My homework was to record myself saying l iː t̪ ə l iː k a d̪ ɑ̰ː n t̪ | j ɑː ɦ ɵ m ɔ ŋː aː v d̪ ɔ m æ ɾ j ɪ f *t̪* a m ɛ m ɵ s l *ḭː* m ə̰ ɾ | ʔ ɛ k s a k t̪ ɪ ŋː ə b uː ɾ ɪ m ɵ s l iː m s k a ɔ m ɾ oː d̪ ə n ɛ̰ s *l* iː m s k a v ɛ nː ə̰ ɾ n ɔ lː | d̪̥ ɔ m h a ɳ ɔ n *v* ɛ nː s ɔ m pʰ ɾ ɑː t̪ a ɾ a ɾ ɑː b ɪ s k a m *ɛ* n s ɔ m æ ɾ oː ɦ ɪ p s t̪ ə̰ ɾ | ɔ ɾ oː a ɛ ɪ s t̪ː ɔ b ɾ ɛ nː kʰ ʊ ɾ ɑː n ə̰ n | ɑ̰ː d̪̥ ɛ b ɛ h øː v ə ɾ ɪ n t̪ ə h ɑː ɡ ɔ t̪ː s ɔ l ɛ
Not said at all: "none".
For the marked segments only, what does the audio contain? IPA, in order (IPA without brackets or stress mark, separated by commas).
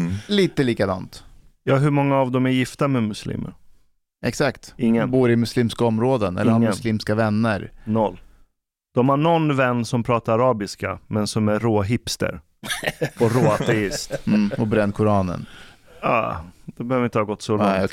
t̪, ḭː, l, v, ɛ